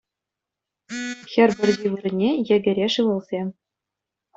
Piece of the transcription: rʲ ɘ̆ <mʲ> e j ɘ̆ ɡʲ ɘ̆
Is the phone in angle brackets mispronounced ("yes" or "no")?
yes